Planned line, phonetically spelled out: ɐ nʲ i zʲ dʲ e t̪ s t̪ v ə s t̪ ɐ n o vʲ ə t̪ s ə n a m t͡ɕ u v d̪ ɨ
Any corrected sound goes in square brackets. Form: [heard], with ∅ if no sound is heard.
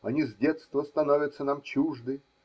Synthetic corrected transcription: ɐ nʲ i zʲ dʲ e t̪ s t̪ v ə s t̪ ɐ n o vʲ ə t̪ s ə n a m t͡ɕ u [ʐ] d̪ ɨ